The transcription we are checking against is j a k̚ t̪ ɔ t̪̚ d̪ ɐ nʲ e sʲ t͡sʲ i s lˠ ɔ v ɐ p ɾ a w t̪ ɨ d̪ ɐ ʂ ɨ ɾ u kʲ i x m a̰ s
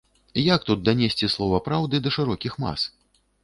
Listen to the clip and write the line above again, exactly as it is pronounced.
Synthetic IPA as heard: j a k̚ t̪ u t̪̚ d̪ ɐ nʲ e sʲ t͡sʲ i s lˠ ɔ v ɐ p ɾ a w d̪ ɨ d̪ ɐ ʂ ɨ ɾ ɔ kʲ i x m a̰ s